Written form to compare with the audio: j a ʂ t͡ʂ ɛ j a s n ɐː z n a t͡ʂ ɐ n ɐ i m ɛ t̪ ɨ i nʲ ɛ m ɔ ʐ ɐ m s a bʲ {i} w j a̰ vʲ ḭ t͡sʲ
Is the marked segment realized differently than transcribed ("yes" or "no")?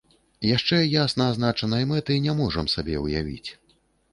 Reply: yes